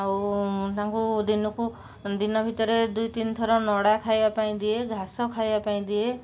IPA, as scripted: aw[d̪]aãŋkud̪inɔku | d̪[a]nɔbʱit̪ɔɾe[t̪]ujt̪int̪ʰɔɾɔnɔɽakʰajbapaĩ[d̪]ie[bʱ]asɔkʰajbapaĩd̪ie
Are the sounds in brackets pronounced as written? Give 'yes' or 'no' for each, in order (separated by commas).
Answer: no, no, no, yes, no